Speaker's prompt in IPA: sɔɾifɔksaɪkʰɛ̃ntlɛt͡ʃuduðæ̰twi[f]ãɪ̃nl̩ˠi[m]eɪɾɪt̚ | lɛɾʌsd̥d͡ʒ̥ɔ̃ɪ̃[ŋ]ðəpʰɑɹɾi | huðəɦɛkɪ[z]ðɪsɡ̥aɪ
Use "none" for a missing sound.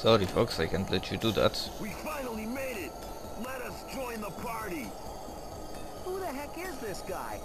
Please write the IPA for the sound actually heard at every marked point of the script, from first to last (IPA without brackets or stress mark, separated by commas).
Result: f, m, n, z